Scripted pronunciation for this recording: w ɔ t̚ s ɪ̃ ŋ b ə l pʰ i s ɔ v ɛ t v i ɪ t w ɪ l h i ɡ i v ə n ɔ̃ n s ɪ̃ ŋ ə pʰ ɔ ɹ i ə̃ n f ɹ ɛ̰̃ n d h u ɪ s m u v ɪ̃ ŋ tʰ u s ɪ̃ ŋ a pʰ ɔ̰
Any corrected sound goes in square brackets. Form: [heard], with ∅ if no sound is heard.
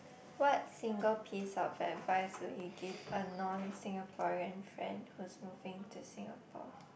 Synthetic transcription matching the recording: w ɔ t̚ s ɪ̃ ŋ [ɡ] ə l pʰ i s ɔ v ɛ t v [a] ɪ [s] w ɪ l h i ɡ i v ə n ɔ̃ n s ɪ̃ ŋ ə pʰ ɔ ɹ i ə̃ n f ɹ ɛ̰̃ n d h u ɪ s m u v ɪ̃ ŋ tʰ u s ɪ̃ ŋ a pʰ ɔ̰